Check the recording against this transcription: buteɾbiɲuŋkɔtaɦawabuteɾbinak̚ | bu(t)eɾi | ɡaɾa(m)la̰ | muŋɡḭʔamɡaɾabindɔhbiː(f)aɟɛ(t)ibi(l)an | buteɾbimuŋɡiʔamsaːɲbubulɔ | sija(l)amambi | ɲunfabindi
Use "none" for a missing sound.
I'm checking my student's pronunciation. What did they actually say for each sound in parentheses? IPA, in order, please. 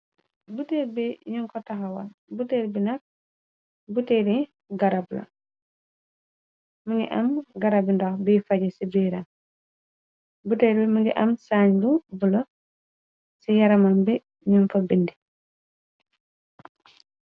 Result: t, b, f, s, ɾ, ɾ

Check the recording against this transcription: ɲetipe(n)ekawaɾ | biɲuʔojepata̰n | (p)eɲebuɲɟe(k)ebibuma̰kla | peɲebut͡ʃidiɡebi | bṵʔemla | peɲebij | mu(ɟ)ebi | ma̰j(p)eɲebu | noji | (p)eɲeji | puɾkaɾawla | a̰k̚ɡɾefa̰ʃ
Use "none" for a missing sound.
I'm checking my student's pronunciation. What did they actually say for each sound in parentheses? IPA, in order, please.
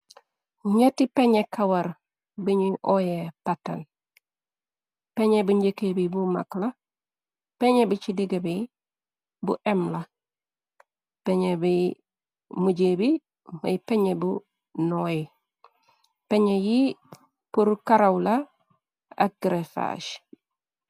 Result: ɲ, p, k, ɟ, p, p

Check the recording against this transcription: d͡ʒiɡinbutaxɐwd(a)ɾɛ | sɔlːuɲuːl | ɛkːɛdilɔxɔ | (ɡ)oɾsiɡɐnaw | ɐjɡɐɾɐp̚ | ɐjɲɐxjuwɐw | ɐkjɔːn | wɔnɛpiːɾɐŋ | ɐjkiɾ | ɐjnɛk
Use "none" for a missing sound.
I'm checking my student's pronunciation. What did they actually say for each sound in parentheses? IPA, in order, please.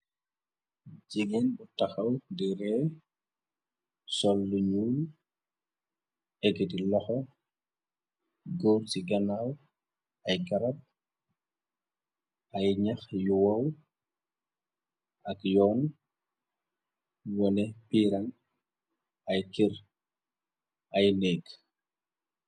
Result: i, ɡ

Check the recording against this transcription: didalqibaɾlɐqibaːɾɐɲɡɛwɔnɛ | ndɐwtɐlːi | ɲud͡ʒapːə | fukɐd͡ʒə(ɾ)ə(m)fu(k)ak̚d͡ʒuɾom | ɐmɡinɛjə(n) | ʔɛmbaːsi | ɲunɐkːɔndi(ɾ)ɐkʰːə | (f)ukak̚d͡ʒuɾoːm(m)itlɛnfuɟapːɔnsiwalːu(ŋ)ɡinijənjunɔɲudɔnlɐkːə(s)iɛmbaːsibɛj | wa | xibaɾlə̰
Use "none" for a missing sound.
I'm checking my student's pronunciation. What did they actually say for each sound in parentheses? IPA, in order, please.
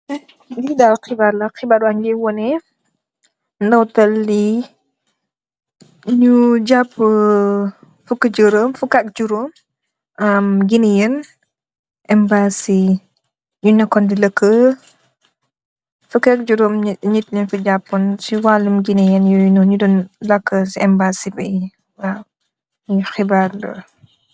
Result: ɾ, m, k, n, l, f, ɲ, m, s

